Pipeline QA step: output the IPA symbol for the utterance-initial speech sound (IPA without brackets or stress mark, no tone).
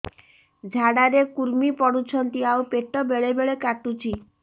d͡ʒʱ